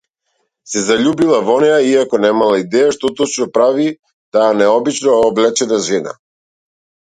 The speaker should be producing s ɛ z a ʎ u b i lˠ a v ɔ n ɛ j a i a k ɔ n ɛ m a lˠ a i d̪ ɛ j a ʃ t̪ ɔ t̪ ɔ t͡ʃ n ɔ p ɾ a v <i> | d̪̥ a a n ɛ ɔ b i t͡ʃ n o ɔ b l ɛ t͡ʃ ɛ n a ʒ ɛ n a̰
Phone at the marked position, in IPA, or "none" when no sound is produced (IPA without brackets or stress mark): i